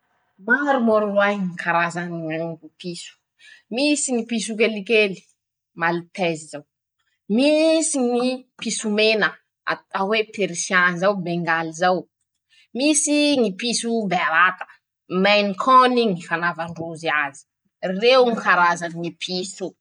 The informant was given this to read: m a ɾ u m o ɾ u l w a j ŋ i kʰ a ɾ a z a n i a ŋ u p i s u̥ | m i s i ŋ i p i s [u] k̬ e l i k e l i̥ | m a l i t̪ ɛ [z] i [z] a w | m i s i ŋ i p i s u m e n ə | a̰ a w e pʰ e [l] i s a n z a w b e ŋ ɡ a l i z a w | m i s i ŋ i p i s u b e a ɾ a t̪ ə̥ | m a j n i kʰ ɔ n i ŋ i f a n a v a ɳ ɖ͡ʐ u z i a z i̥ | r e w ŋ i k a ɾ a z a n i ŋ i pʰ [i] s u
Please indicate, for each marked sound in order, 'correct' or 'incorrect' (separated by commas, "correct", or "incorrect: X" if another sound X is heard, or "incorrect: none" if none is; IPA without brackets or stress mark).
correct, correct, correct, incorrect: ɾ, correct